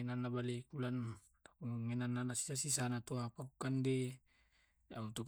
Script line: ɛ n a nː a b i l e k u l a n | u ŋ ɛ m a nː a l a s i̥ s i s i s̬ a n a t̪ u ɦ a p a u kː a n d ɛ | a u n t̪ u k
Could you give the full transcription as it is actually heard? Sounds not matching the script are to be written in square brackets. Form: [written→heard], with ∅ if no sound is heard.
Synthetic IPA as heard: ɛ n a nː a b [i→a] l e k u l a n | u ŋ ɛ [m→n] a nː a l a s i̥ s [i→a] s i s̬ a n a t̪ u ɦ a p a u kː a n d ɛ | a u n t̪ u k